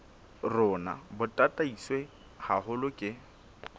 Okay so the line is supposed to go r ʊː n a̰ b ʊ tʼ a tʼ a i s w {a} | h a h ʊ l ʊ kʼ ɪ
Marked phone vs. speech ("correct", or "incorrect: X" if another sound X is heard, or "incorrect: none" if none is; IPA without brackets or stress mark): incorrect: e